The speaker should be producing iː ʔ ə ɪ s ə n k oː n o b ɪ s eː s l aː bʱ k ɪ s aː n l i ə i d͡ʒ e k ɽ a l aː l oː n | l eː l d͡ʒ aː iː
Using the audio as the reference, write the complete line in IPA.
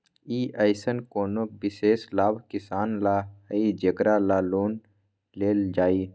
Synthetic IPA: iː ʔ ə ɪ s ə n k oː n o b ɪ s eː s l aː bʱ k ɪ s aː n l a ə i d͡ʒ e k ɾ a l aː l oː n | l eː l d͡ʒ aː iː